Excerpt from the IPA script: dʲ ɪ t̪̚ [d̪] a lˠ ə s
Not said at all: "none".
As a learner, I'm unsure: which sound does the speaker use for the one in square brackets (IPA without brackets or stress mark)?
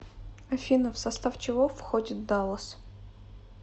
d̪